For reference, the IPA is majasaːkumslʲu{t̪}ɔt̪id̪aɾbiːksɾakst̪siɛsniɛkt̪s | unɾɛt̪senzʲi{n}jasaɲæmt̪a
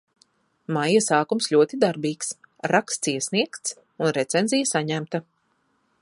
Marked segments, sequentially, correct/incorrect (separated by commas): incorrect, incorrect